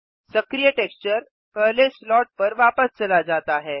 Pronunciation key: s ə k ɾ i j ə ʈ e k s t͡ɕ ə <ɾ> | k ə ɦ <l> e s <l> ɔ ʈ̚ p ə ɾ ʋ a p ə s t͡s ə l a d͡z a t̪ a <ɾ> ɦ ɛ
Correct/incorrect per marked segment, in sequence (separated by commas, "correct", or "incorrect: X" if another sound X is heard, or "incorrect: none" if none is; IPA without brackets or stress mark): correct, correct, correct, incorrect: none